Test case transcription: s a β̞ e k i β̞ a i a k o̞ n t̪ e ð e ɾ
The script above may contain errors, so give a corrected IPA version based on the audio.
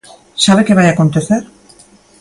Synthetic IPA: s a β̞ e k e β̞ a j a k o̞ n t̪ e θ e ɾ